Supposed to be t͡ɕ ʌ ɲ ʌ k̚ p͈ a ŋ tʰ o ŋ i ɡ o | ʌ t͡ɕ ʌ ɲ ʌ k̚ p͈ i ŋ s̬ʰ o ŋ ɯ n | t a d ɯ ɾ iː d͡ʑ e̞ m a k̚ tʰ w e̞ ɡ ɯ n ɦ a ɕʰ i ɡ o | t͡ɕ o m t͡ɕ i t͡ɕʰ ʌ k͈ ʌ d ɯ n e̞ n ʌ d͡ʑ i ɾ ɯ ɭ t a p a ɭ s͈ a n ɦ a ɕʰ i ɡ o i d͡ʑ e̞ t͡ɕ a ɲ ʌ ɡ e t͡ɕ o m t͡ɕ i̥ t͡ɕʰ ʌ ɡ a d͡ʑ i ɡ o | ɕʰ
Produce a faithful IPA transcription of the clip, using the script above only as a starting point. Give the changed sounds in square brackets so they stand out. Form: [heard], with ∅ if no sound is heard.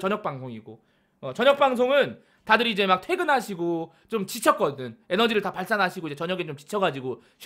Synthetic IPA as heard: t͡ɕ ʌ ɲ ʌ k̚ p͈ a ŋ [sʰ] o ŋ i ɡ o | ʌ t͡ɕ ʌ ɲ ʌ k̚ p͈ [a] ŋ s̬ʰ o ŋ ɯ n | t a d ɯ ɾ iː d͡ʑ e̞ m a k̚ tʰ w e̞ ɡ ɯ n ɦ a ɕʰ i ɡ o | t͡ɕ o m t͡ɕ i t͡ɕʰ ʌ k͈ ʌ d ɯ n e̞ n ʌ d͡ʑ i ɾ ɯ ɭ t a p a ɭ s͈ a n ɦ a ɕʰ i ɡ o i d͡ʑ e̞ t͡ɕ [ʌ] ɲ ʌ ɡ e t͡ɕ o m t͡ɕ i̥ t͡ɕʰ ʌ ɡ a d͡ʑ i ɡ o | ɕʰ